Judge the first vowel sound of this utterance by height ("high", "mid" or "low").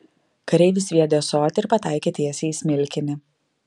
low